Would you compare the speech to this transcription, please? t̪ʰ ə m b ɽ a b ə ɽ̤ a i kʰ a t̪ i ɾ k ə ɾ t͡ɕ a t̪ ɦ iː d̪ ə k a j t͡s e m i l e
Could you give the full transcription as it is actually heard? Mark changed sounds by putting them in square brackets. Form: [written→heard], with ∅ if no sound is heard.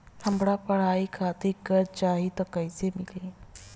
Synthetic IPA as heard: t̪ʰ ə m b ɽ a [b→p] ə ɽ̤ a i kʰ a t̪ i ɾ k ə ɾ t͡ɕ a [t̪→∅] ɦ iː [d̪→t̪] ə k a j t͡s e m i l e

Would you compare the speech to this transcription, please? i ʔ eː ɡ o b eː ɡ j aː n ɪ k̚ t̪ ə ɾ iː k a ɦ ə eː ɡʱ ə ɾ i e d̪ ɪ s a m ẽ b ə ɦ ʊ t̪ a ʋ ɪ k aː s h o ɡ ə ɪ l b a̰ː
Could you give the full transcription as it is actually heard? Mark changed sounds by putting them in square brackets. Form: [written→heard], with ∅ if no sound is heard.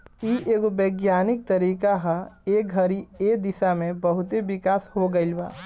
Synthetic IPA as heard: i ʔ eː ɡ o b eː ɡ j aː n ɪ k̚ t̪ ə ɾ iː k a ɦ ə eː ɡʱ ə ɾ i e d̪ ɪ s a m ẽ b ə ɦ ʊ t̪ [a→e] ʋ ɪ k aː s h o ɡ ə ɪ l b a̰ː

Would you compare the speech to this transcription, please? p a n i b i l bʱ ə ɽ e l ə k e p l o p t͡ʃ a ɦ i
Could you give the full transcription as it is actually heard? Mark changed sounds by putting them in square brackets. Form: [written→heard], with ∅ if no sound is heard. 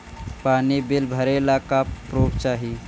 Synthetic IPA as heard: p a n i b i l bʱ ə [ɽ→ɾ] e l [ə→a] k [e→a] p [l→ɾ] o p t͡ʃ a ɦ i

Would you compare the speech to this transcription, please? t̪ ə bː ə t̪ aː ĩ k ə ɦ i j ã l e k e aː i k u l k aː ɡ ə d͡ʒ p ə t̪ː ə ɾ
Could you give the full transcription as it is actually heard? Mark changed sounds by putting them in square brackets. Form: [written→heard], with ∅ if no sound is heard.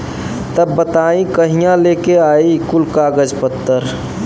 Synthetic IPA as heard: t̪ ə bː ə t̪ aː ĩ k ə ɦ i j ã l e k e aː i k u l k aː ɡ ə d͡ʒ p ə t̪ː ə ɾ

